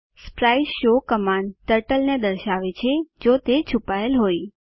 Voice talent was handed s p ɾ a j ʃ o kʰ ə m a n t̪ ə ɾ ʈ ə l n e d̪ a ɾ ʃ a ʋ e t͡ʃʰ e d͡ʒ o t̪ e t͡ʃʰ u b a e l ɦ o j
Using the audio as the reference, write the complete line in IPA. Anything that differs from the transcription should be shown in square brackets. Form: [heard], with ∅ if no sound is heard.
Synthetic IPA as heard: s p ɾ a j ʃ o [k] ə m a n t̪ ə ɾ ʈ ə l n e d̪ [ə] ɾ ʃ a ʋ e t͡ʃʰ e d͡ʒ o t̪ e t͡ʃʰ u [p] a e l ɦ o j